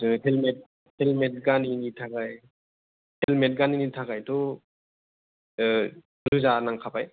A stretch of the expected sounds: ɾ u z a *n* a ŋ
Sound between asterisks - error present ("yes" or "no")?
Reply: no